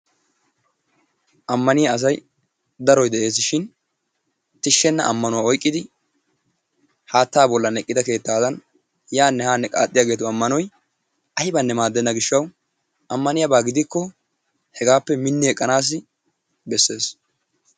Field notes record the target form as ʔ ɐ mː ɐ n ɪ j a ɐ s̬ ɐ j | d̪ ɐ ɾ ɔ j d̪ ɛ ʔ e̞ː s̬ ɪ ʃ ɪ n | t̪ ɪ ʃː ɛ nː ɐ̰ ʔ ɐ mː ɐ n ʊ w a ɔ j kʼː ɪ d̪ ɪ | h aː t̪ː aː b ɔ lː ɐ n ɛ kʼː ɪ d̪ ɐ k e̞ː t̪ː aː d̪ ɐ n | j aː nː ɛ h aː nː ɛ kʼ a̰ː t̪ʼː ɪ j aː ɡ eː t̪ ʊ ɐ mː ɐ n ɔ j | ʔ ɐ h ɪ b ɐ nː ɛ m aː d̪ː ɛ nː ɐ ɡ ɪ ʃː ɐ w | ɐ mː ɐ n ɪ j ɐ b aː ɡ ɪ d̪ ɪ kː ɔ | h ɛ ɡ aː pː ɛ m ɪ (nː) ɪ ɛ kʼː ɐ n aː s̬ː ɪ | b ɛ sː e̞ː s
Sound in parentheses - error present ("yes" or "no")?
no